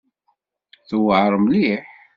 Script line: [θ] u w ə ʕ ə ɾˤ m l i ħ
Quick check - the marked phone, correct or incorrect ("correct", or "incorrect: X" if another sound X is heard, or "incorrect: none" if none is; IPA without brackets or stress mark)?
correct